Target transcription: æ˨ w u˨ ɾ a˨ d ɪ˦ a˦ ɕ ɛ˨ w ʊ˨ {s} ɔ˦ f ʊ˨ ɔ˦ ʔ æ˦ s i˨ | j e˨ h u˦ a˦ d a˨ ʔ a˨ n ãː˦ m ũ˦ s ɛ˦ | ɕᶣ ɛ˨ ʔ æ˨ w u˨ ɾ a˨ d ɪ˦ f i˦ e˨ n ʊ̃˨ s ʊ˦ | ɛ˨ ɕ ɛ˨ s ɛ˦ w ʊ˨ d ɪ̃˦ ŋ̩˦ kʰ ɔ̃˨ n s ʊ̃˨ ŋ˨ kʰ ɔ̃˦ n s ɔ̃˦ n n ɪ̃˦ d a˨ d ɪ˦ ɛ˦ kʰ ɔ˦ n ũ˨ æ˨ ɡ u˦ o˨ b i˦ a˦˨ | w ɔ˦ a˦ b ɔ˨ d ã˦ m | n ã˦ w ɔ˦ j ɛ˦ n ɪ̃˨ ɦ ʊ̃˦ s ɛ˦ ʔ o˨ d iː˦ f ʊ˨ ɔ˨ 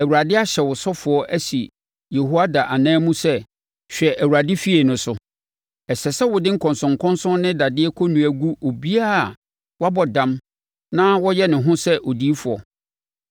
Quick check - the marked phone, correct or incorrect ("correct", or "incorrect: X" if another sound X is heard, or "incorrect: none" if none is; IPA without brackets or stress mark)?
correct